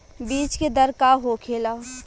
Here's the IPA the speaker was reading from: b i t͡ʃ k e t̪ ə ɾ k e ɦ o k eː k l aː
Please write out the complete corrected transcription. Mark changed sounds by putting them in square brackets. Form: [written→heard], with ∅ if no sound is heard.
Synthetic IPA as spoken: b [i→iː] t͡ʃ k e [t̪→d̪] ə ɾ k [e→a] ɦ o [k→kʰ] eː [k→∅] l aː